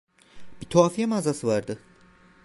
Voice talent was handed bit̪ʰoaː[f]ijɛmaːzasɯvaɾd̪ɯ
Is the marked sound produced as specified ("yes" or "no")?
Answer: yes